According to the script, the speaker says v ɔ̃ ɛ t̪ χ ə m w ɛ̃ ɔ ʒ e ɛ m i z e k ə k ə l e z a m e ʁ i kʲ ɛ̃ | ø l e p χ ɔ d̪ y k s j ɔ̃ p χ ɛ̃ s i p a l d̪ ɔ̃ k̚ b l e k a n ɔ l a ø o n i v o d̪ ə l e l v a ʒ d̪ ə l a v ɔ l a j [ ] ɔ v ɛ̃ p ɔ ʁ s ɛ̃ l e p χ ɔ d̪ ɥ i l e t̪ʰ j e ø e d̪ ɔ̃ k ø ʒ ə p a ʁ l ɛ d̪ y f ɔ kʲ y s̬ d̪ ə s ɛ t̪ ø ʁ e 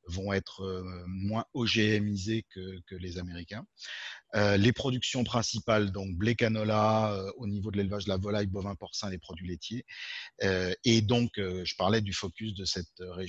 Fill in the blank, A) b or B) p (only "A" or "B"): A